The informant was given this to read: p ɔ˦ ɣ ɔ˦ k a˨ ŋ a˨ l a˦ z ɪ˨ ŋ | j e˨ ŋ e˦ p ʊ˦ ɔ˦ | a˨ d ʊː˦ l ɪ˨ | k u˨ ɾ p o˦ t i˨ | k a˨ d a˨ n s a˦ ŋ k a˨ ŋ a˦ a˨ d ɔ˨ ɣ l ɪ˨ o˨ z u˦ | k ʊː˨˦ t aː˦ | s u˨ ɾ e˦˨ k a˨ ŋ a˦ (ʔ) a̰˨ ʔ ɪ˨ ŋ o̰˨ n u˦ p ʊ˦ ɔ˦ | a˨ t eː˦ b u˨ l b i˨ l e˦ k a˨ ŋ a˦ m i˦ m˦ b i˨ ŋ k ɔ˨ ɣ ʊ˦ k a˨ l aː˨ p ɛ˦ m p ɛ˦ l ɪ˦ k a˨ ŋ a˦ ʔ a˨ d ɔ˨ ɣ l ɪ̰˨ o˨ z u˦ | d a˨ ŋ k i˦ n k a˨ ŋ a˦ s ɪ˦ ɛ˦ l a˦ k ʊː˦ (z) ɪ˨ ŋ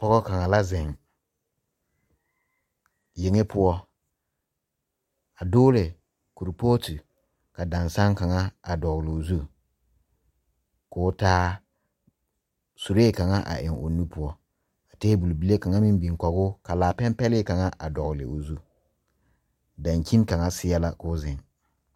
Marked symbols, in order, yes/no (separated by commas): yes, yes